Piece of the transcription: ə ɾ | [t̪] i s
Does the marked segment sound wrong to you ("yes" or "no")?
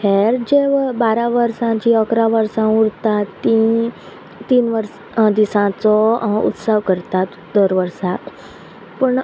yes